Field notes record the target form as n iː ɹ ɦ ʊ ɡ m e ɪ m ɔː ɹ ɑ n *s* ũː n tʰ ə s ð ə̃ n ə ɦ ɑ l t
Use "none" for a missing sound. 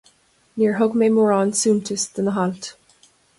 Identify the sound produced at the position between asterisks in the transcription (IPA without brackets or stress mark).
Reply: s